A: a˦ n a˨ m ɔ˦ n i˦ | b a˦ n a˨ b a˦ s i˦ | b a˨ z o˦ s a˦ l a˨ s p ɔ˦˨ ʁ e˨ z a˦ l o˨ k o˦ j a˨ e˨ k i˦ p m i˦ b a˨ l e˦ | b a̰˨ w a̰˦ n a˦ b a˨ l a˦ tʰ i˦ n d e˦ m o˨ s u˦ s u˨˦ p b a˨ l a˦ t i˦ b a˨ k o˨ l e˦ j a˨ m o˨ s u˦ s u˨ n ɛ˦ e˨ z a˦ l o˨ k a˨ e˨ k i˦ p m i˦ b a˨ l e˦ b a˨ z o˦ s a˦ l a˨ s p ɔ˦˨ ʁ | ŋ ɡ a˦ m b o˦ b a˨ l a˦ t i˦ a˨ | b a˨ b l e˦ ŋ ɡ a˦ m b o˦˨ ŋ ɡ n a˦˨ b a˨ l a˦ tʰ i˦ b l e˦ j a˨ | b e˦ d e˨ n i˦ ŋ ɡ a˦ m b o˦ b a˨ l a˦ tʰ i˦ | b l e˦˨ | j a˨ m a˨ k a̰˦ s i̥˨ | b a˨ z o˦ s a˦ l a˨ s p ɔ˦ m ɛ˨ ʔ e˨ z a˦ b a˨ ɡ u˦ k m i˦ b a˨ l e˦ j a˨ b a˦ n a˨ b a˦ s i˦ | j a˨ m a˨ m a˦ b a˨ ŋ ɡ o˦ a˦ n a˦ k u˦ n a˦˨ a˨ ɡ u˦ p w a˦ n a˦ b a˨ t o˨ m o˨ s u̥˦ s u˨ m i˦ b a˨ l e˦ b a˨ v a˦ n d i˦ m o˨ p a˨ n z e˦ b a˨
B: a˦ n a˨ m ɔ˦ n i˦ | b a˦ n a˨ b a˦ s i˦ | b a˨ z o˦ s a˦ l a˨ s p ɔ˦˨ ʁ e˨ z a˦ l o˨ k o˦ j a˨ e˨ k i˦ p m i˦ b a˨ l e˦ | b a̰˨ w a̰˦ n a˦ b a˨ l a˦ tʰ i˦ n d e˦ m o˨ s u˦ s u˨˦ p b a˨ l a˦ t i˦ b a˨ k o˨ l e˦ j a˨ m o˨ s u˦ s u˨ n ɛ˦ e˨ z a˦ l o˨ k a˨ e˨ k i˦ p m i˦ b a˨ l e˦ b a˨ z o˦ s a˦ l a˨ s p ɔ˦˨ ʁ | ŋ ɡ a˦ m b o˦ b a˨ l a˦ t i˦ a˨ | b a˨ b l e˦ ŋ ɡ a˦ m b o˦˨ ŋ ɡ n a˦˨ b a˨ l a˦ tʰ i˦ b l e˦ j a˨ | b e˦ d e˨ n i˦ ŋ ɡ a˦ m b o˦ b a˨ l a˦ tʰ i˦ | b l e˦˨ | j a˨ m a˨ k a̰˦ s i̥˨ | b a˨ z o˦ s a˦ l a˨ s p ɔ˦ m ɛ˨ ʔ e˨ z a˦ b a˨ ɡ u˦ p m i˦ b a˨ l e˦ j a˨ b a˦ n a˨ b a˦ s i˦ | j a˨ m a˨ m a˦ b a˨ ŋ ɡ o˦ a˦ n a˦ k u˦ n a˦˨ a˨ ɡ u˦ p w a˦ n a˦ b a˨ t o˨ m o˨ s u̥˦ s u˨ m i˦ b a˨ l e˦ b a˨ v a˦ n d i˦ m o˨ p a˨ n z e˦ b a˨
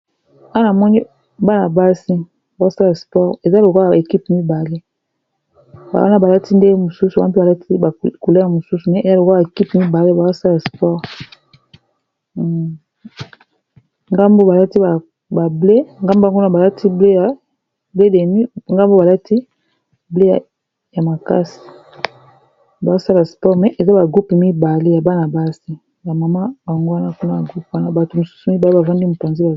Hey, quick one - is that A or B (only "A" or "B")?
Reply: B